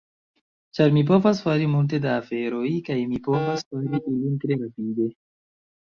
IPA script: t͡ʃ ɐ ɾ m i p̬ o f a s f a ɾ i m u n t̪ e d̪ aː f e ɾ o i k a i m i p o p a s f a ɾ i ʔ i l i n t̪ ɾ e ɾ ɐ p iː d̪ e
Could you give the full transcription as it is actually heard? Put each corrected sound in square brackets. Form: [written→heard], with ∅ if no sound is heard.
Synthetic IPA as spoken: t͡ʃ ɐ ɾ m i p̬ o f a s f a ɾ i m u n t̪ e d̪ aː f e ɾ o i k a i m i p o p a s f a ɾ i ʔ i l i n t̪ ɾ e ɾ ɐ p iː d̪ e